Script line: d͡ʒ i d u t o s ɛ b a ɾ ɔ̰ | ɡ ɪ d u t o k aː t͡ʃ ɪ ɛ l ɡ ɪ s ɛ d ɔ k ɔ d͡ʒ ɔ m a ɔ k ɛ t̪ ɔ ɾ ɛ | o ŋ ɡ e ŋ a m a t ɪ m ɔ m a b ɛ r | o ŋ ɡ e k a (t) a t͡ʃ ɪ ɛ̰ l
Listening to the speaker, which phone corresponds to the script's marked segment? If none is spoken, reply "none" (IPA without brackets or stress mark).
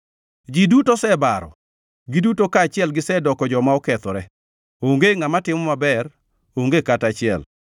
t